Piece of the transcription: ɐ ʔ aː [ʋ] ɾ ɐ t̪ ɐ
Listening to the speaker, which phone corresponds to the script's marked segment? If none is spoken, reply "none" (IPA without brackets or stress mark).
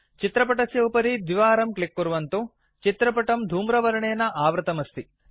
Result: ʋ